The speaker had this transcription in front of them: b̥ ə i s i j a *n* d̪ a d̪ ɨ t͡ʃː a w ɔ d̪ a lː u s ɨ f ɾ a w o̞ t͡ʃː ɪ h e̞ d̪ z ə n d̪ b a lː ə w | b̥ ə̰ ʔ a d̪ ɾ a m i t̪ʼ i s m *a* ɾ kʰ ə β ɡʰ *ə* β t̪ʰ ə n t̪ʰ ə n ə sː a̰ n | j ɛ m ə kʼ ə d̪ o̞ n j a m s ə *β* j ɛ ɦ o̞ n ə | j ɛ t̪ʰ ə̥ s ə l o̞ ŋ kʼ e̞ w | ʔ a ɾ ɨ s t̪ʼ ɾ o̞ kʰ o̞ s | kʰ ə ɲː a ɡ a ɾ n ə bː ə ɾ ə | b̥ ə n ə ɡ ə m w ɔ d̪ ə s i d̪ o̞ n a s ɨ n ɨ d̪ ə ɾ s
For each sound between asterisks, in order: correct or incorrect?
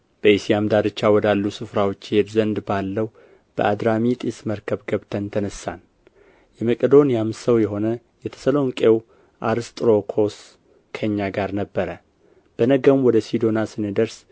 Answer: incorrect: m, incorrect: ə, correct, incorrect: w

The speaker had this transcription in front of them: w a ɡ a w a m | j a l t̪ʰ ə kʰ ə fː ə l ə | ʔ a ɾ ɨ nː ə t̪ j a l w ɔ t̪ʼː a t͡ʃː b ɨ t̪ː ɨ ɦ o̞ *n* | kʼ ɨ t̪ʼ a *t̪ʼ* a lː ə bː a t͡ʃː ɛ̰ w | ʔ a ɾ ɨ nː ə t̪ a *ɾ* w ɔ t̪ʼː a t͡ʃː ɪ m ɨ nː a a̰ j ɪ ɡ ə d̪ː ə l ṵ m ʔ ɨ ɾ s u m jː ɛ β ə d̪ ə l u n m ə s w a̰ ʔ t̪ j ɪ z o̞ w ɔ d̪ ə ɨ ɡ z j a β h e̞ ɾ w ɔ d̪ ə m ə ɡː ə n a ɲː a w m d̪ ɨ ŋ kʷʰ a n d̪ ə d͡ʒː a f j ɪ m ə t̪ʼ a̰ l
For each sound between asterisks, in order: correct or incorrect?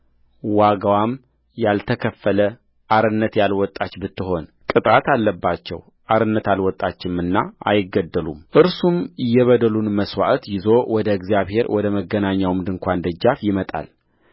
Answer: correct, incorrect: t̪, incorrect: l

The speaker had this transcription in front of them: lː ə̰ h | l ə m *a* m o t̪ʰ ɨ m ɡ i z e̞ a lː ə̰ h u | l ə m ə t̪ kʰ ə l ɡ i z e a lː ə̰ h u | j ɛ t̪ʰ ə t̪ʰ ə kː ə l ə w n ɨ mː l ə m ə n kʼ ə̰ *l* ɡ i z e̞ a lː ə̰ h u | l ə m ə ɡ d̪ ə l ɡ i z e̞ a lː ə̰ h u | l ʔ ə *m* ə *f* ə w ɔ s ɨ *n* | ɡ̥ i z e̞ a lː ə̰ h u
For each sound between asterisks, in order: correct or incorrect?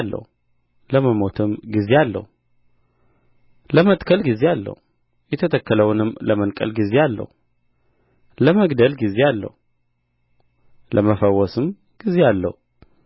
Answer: incorrect: ə, correct, correct, correct, incorrect: m

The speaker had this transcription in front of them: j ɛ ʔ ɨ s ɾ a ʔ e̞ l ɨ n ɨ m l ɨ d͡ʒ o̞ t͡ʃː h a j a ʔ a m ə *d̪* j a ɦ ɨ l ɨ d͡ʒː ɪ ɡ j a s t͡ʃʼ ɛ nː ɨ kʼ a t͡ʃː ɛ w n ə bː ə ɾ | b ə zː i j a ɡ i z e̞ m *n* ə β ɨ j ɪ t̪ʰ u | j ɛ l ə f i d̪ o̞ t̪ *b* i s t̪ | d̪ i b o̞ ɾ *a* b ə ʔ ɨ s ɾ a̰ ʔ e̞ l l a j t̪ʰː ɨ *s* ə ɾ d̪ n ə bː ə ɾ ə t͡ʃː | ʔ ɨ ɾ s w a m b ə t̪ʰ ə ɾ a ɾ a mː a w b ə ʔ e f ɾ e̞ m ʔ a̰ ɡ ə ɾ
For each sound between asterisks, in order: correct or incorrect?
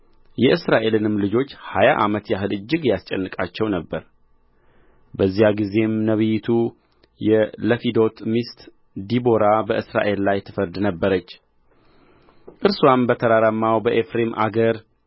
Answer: incorrect: t̪, correct, incorrect: m, correct, incorrect: f

